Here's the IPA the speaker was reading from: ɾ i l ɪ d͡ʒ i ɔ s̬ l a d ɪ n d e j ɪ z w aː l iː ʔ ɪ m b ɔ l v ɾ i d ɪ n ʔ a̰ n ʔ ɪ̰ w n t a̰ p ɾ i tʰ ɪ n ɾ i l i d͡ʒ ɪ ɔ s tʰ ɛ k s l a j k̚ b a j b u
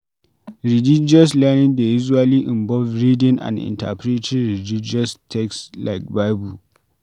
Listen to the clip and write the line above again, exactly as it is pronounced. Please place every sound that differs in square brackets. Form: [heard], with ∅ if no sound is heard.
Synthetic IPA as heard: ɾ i l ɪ d͡ʒ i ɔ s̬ l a [n] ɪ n d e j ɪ z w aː l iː ʔ ɪ m b ɔ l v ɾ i d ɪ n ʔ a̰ n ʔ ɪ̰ [∅] n t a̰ p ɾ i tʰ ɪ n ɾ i l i d͡ʒ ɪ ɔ s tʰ ɛ k s l a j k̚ b a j b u